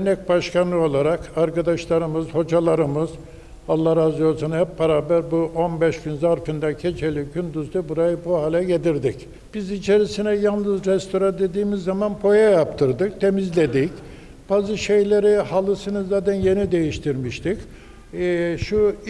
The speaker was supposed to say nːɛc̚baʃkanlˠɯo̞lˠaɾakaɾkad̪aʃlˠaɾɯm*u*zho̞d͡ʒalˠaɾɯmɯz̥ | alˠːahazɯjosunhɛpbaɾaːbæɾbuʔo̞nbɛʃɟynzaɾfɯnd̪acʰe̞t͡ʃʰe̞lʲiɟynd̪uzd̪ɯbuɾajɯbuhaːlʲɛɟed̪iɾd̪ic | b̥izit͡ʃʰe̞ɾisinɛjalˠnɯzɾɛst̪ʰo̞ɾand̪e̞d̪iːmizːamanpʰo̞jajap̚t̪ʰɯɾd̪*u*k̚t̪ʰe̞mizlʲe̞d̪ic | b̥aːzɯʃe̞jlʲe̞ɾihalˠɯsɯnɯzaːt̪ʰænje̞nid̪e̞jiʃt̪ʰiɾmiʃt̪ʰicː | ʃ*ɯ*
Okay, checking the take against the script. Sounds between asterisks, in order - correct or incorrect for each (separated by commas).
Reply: incorrect, incorrect, incorrect